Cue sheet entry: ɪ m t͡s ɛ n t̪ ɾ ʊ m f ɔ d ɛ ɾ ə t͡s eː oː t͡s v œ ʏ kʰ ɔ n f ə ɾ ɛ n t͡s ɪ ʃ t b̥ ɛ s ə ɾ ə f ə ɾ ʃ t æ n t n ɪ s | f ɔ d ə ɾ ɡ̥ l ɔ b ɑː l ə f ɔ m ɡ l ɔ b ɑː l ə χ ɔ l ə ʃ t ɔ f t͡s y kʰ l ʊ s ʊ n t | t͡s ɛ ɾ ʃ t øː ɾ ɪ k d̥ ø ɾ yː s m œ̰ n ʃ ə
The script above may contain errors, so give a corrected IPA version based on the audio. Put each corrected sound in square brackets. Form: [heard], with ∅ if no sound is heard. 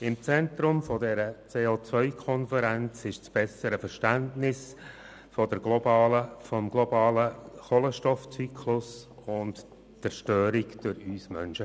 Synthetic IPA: ɪ m t͡s ɛ n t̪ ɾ ʊ m f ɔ d ɛ ɾ ə t͡s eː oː t͡s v œ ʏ kʰ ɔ n f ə ɾ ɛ n t͡s ɪ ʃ [t͡s] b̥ ɛ s ə ɾ ə f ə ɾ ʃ t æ n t n ɪ s | f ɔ d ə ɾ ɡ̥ l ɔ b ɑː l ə f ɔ m ɡ l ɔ b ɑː l ə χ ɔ l ə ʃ t ɔ f t͡s y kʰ l ʊ s ʊ n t | t͡s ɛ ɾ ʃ t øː ɾ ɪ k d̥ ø ɾ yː s m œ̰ n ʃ ə